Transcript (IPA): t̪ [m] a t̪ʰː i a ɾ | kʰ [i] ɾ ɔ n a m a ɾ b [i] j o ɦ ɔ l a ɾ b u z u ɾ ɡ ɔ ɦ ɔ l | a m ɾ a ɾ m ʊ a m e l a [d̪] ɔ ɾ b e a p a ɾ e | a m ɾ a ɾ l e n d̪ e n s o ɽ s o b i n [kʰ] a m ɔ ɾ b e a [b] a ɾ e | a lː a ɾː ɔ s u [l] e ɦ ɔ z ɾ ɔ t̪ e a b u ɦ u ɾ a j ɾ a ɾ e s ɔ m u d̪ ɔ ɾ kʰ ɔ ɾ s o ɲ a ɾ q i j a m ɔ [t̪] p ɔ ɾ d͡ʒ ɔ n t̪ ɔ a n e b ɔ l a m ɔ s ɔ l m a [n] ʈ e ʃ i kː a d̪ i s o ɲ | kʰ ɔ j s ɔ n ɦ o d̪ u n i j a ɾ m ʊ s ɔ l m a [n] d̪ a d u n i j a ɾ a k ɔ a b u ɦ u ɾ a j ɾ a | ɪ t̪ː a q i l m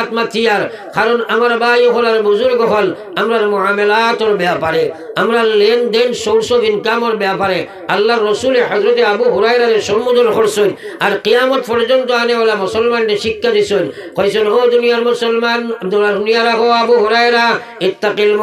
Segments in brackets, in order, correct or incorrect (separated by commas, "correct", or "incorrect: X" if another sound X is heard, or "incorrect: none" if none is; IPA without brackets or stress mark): correct, incorrect: a, incorrect: a, incorrect: t̪, incorrect: k, incorrect: p, correct, correct, correct, correct